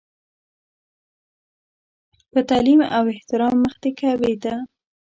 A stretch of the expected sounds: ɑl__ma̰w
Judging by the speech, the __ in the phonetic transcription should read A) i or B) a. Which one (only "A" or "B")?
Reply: A